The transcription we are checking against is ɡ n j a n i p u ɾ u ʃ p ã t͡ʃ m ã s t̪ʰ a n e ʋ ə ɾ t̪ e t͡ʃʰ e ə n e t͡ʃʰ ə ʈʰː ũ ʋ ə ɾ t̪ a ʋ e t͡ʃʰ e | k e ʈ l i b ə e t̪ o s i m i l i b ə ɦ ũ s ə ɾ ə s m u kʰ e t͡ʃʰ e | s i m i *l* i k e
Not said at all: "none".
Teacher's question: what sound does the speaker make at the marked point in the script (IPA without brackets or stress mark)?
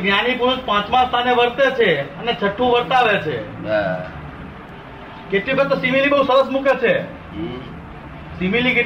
l